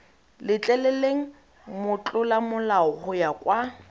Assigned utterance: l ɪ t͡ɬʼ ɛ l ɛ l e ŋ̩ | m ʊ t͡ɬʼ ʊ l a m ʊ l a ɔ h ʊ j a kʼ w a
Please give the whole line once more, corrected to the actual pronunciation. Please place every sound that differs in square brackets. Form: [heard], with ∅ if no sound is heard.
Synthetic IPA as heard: l ɪ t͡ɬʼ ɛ l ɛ l e ŋ̩ | m ʊ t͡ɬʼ ʊ l a m ʊ l a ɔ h ʊ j a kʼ w a